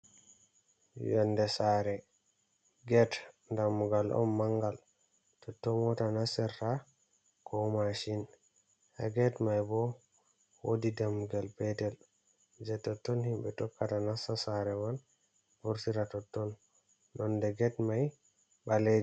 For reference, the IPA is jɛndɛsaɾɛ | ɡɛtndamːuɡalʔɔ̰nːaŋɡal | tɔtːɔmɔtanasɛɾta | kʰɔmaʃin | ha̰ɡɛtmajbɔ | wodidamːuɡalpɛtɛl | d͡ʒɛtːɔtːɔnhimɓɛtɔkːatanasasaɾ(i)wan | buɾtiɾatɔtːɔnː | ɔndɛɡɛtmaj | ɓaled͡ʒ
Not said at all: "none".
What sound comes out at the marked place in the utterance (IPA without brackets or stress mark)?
ɛ